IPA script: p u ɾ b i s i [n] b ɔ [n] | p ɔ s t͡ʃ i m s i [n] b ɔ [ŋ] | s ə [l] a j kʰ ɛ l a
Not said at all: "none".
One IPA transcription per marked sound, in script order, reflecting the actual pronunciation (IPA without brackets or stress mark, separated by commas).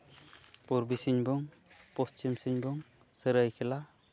ɲ, ŋ, ɲ, ŋ, ɾ